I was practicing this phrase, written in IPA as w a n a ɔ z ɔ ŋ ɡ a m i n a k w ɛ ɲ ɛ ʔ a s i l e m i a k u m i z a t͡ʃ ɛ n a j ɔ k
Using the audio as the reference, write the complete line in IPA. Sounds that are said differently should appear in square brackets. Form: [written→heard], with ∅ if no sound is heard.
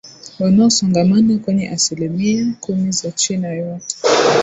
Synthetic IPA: w a n a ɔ [z→s] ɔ ŋ ɡ a m [i→a] n a k w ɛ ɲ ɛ ʔ a s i l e m i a k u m i z a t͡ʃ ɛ n a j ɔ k